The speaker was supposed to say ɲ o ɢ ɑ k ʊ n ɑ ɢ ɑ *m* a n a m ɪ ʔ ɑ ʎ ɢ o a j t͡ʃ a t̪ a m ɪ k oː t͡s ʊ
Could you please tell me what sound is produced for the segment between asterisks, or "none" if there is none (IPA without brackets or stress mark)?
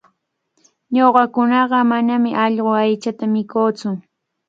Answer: m